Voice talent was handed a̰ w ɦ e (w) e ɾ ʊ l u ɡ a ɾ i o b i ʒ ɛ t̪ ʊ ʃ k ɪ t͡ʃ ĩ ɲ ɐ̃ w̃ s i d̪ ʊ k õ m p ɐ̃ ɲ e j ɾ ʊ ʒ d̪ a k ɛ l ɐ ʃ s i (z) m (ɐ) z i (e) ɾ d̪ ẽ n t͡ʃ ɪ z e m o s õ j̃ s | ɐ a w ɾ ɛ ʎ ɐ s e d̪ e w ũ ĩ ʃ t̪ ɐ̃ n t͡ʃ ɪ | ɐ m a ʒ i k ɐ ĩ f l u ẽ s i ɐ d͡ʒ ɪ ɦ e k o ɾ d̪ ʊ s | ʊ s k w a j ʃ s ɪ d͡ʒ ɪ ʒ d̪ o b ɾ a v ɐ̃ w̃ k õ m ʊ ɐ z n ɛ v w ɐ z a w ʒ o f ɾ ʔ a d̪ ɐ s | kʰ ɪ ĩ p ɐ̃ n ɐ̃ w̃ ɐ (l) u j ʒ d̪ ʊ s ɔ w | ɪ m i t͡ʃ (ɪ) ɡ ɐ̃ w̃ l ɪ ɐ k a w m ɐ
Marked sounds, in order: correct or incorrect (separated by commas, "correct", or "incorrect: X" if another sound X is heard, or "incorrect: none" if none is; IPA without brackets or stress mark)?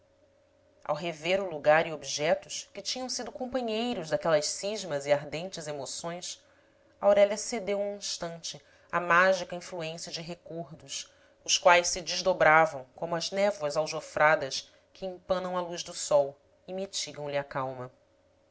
incorrect: v, incorrect: ʒ, correct, incorrect: a, correct, incorrect: i